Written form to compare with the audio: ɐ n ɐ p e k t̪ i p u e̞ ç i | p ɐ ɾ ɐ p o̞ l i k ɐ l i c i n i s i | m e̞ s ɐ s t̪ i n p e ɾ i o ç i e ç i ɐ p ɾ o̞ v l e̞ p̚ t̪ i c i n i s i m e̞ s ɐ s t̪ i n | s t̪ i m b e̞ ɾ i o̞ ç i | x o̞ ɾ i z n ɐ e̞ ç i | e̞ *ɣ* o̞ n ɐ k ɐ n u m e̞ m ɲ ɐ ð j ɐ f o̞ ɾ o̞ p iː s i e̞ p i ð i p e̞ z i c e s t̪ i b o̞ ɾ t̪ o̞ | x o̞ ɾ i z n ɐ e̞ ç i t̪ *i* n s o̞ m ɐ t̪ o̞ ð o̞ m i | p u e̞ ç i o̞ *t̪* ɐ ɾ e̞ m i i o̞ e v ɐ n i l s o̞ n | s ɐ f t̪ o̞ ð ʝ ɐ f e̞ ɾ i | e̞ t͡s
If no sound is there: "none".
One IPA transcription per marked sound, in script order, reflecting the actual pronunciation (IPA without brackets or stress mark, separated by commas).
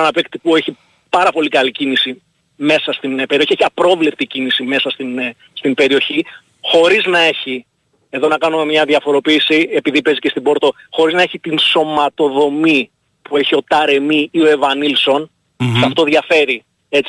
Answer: ð, i, t̪